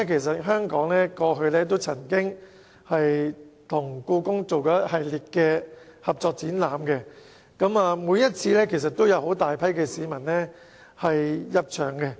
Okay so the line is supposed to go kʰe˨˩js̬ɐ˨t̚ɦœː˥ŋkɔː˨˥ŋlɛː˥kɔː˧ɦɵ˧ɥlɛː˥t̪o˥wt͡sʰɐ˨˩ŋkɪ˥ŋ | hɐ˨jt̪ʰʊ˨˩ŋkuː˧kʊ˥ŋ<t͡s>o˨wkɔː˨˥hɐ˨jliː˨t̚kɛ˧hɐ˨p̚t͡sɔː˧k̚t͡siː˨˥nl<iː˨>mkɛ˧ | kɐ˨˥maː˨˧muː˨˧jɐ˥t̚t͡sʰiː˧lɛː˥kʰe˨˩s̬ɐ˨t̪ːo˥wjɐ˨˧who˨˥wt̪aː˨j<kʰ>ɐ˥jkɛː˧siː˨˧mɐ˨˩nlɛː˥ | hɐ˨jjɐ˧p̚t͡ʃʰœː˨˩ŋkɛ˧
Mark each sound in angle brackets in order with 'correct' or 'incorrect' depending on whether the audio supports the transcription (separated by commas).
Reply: correct, incorrect, incorrect